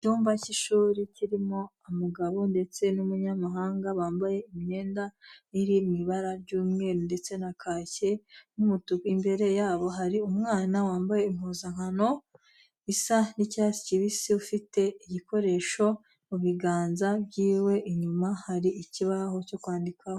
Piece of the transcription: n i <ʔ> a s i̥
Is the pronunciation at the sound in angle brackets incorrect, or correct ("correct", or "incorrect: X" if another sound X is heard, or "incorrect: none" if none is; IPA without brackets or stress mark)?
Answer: incorrect: c